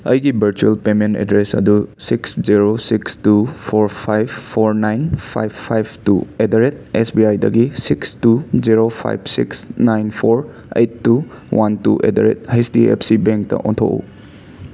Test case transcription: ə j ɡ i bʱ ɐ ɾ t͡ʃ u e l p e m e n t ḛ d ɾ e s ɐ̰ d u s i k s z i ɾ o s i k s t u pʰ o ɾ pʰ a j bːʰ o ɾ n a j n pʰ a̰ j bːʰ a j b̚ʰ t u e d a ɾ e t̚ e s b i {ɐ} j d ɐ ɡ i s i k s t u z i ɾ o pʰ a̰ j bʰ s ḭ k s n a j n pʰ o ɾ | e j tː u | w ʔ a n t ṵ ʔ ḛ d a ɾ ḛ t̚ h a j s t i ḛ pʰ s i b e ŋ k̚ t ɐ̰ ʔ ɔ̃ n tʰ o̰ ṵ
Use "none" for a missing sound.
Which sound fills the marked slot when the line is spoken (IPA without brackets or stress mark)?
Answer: a